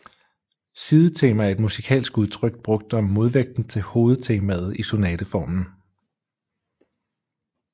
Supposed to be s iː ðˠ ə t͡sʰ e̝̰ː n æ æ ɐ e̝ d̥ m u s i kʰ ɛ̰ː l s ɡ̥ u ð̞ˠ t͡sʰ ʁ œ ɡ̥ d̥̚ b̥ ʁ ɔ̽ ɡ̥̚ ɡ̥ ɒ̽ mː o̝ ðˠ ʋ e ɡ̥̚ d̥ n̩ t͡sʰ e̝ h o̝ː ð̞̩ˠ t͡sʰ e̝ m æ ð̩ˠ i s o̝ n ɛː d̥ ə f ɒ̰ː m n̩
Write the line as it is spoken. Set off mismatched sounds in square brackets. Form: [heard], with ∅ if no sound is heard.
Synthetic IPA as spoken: s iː ðˠ ə t͡sʰ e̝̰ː [m] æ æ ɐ e̝ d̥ m u s i kʰ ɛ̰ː l s ɡ̥ u ð̞ˠ t͡sʰ ʁ œ ɡ̥ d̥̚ b̥ ʁ ɔ̽ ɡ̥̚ [d̥] ɒ̽ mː o̝ ðˠ ʋ e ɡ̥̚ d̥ n̩ t͡sʰ e̝ h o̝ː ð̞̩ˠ t͡sʰ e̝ m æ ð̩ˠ i s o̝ n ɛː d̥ ə f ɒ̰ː m n̩